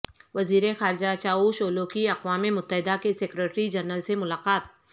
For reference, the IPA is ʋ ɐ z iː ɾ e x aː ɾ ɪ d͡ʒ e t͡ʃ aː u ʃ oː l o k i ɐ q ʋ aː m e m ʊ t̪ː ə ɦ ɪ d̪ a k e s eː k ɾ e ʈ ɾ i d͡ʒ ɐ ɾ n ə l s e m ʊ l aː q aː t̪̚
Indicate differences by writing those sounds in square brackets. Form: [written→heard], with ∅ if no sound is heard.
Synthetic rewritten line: ʋ ɐ z iː ɾ e x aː ɾ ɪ d͡ʒ [e→a] t͡ʃ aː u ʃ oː l o k i ɐ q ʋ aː m e m ʊ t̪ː ə ɦ ɪ d̪ a k e s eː k ɾ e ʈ ɾ i d͡ʒ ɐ ɾ n ə l s e m ʊ l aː q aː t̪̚